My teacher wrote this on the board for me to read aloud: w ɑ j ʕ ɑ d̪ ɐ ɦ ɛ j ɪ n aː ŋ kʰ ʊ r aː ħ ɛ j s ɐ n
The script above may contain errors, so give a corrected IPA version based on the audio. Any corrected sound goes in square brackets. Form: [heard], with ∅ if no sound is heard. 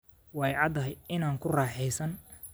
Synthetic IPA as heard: w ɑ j ʕ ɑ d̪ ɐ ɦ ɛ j ɪ n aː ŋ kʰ ʊ r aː ħ ɛ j s ɐ n